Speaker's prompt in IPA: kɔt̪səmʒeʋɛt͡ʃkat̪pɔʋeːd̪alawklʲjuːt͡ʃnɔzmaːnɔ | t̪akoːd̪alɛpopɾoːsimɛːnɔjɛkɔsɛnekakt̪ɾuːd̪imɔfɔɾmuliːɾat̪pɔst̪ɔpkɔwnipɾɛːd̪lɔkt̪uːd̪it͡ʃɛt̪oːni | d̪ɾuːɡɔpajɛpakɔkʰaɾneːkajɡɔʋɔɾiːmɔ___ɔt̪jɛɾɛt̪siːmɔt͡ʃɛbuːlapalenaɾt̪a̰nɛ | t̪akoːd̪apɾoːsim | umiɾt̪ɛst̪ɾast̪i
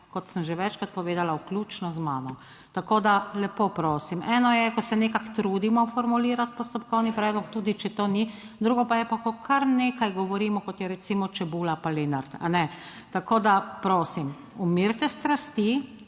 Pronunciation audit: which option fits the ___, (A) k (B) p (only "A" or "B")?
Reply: A